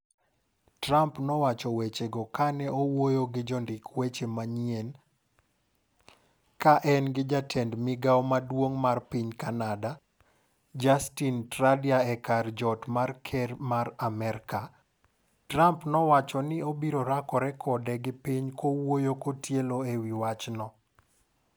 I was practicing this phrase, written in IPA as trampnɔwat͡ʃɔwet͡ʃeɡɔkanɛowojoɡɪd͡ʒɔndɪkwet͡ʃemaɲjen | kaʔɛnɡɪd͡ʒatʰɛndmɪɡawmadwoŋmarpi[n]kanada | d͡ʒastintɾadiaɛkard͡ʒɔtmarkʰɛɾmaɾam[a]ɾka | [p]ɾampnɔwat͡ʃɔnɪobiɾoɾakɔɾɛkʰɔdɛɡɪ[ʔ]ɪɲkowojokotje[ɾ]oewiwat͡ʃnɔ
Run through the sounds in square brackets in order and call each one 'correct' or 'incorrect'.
incorrect: ɲ, incorrect: ɛ, incorrect: t, incorrect: p, incorrect: l

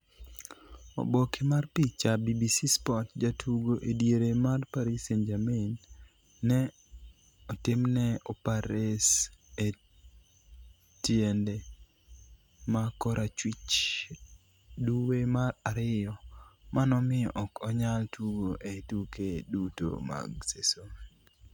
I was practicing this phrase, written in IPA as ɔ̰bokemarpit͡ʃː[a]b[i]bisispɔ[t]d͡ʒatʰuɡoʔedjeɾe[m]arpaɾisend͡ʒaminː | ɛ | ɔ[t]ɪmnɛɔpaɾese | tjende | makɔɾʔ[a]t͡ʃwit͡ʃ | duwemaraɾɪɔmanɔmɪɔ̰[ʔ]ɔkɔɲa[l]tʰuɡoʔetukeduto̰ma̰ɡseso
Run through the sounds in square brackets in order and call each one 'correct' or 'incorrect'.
correct, correct, correct, correct, correct, correct, correct, correct

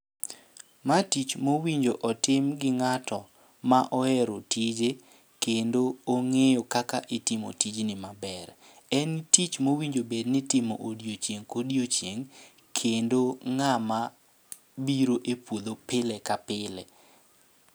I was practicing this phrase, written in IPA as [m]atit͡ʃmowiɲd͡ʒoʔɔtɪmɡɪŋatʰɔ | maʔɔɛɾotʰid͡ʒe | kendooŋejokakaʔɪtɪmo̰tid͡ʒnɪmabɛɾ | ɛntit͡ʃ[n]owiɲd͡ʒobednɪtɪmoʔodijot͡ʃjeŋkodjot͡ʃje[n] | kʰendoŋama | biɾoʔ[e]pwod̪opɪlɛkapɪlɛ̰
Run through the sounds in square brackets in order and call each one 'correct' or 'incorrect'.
correct, incorrect: m, incorrect: ŋ, correct

